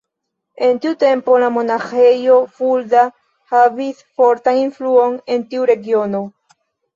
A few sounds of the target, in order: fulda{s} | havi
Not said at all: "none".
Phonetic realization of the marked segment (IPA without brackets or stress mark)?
none